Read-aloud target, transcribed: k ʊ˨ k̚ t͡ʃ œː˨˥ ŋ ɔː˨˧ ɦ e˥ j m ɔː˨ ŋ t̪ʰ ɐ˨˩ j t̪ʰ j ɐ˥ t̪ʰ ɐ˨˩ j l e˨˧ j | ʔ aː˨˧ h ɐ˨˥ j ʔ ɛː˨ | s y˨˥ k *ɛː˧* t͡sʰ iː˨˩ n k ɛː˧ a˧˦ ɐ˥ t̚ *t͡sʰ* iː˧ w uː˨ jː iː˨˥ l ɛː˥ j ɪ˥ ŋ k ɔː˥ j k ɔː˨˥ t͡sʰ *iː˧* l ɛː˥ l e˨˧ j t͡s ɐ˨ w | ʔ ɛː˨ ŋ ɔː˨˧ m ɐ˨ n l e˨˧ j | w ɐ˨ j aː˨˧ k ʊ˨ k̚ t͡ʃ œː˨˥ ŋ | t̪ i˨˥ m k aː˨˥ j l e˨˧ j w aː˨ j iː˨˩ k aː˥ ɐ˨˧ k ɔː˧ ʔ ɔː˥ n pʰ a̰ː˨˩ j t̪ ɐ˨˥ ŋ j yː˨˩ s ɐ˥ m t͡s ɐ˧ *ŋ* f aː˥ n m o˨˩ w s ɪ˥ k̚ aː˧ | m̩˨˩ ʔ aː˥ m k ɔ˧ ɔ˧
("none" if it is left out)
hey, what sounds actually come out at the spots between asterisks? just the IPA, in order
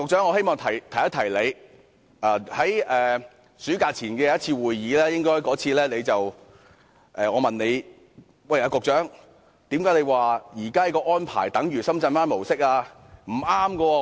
aː˧, t͡sʰ, iː˧, n

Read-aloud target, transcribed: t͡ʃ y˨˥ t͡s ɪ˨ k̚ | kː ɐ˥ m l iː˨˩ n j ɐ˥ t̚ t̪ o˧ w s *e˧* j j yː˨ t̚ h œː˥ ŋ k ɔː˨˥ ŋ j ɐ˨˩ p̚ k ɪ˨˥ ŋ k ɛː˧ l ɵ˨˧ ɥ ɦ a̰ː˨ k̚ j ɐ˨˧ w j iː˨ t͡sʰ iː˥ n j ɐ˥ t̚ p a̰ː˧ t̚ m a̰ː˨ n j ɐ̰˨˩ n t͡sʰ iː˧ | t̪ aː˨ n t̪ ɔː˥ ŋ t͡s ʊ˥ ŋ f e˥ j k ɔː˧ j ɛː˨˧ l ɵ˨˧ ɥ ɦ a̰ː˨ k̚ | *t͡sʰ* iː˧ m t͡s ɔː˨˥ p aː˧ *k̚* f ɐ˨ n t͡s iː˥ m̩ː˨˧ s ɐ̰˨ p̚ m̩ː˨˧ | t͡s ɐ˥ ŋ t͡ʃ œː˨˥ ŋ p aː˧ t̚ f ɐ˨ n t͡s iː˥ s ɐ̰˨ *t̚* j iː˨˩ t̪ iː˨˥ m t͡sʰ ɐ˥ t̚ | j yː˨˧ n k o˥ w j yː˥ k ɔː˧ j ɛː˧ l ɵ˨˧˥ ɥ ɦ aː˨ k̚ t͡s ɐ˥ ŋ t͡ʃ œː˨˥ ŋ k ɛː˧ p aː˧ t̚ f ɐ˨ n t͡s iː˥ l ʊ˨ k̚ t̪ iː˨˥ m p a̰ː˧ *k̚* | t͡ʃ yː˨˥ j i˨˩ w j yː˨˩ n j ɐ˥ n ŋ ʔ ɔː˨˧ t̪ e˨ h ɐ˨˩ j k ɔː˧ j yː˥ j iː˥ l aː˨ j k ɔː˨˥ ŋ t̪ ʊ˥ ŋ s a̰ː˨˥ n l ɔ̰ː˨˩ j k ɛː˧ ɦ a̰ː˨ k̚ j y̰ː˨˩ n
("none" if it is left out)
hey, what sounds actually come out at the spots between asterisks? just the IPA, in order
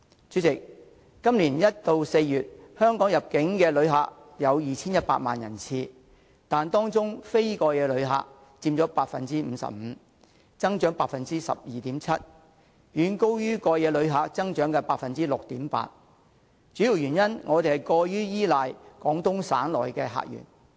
e˧, t͡s, t̚, p̚, t̚

